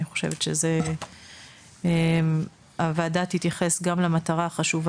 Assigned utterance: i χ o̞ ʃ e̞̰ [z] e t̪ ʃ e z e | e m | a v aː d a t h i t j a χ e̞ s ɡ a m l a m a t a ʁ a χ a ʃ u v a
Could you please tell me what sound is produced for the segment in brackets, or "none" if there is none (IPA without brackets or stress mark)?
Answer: v